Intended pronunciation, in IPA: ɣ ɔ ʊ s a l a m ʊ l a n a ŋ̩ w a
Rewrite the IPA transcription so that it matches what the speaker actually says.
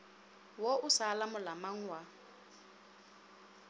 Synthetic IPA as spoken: w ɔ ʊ s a l a m ʊ l a m a ŋ̩ w a